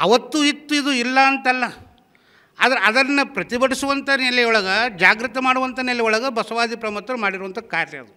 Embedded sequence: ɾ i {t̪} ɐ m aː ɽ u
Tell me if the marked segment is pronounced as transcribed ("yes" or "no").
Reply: yes